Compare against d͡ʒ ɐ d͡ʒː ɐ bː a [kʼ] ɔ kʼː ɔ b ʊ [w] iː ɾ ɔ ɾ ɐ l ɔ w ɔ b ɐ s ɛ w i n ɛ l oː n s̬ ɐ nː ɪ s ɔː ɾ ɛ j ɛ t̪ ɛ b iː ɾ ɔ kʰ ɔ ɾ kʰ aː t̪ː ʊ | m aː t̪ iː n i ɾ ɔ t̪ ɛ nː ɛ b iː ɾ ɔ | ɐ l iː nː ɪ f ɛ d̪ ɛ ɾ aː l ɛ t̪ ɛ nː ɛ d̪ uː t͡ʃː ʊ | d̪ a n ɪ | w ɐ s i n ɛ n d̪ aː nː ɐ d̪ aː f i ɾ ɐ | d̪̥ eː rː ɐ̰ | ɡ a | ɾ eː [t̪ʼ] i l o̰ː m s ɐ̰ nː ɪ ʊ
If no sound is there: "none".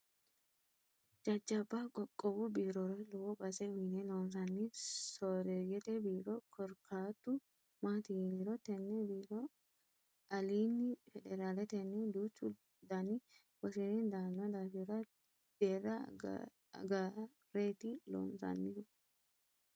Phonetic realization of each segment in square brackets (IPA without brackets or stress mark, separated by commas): kʼ, b, t̪